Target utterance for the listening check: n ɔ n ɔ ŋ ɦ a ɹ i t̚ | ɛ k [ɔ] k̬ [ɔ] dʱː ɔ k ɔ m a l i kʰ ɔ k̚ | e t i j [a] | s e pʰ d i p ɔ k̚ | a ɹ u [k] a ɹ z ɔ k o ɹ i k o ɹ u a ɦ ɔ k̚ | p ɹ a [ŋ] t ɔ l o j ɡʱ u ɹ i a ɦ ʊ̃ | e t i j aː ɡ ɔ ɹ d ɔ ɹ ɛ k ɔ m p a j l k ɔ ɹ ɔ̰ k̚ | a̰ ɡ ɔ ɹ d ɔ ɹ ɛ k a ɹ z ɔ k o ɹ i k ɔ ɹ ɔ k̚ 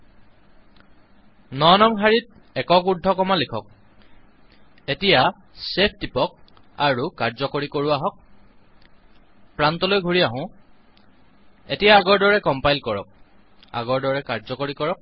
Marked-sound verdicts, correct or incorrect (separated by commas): correct, incorrect, correct, correct, incorrect